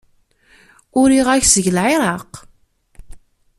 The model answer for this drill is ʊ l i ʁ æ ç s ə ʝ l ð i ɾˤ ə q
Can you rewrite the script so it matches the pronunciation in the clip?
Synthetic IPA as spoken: ʊ ɾ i ʁ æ ç s ə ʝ l ʕ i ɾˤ ɑ q